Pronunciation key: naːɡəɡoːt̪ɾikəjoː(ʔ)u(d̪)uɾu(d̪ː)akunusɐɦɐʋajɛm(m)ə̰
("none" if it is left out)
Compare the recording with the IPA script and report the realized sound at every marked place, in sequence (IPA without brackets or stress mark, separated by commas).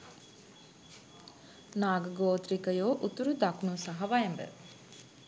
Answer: ʔ, t̪, d̪, b